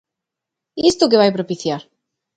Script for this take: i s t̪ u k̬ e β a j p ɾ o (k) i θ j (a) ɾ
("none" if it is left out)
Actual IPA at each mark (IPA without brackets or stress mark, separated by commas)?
p, a